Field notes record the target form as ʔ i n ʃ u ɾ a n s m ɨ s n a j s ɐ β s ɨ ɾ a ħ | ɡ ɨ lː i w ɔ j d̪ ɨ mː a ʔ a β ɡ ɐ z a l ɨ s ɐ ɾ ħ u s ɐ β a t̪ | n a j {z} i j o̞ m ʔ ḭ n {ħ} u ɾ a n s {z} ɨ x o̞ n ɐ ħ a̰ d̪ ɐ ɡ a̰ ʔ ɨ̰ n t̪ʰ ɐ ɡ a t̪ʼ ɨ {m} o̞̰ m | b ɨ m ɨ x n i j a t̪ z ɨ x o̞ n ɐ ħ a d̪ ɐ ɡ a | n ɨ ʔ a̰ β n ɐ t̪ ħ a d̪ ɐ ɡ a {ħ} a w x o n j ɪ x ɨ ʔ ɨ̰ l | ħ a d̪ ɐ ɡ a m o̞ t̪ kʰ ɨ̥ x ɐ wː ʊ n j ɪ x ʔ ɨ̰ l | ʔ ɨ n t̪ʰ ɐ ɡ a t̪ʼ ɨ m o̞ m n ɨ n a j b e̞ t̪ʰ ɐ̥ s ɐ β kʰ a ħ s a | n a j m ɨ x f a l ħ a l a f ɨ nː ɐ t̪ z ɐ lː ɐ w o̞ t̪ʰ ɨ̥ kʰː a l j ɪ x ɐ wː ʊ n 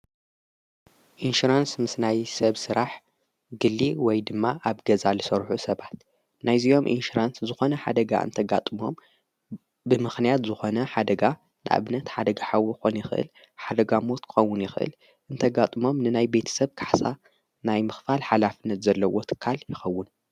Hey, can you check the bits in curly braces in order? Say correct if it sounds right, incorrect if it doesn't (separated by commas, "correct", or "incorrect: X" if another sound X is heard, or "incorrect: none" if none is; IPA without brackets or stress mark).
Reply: correct, incorrect: ʃ, correct, correct, correct